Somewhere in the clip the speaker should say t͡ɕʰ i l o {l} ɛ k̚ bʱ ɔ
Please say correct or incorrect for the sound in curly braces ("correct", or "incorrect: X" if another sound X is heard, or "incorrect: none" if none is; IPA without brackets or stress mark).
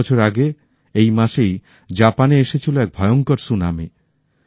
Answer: incorrect: none